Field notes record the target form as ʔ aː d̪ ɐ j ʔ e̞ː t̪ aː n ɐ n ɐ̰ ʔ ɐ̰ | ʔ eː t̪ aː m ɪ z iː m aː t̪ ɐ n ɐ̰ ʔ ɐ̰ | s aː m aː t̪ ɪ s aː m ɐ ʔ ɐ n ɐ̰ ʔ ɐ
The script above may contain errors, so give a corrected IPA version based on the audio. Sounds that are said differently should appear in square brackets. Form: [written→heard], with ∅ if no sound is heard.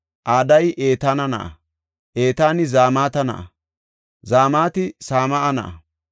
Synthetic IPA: ʔ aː d̪ ɐ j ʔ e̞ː t̪ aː n ɐ n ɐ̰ ʔ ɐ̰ | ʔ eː t̪ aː [m→n] ɪ z [iː→aː] m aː t̪ ɐ n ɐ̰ ʔ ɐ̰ | [s→z] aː m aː t̪ ɪ s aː m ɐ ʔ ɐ n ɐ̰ ʔ ɐ